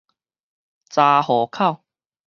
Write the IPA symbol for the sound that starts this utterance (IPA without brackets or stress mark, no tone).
t͡s